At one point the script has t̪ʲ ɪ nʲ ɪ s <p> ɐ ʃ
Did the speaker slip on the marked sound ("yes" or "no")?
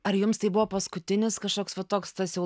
yes